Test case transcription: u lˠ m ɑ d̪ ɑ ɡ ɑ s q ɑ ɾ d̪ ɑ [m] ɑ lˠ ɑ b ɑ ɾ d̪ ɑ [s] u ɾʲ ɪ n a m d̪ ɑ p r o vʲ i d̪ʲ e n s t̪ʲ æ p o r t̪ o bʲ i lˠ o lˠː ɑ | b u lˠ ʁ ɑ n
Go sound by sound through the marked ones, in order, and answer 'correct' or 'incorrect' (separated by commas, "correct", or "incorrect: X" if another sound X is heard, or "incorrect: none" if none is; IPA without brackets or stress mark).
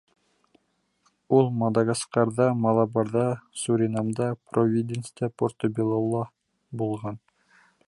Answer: correct, correct